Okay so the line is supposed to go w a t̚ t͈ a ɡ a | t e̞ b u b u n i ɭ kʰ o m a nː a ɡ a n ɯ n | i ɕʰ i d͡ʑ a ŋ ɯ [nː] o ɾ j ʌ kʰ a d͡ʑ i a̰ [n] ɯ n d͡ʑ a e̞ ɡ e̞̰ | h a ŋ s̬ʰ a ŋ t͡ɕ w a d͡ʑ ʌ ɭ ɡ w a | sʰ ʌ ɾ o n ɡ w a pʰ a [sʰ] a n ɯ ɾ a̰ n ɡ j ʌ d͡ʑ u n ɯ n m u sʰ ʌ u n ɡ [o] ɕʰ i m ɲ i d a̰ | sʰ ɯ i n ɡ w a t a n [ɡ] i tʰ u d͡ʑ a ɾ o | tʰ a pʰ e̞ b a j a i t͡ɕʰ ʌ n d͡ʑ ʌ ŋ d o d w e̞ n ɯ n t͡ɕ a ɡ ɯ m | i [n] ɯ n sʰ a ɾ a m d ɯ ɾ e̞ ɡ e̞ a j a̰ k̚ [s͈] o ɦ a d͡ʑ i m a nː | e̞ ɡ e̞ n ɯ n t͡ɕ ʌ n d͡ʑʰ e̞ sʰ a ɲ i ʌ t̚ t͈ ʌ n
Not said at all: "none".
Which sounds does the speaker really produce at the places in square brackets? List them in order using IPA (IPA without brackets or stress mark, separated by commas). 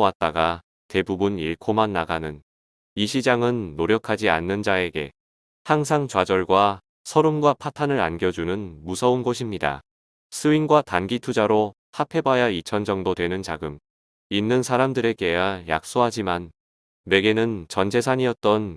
nː, nː, tʰ, o, ɡ, nː, s͈